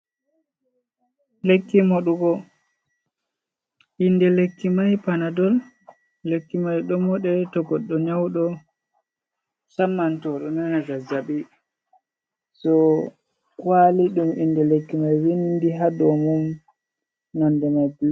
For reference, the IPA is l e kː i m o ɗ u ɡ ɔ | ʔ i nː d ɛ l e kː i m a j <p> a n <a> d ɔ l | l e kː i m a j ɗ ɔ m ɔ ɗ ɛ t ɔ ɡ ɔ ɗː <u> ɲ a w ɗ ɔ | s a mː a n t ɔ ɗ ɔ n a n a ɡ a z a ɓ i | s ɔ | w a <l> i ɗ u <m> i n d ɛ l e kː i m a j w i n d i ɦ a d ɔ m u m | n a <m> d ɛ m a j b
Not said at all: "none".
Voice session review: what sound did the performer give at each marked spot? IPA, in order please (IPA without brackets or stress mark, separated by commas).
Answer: p, a, ɔ, l, m, n